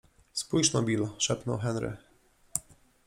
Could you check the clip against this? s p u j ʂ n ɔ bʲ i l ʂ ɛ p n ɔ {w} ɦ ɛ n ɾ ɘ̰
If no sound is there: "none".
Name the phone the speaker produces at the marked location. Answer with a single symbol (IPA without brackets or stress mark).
w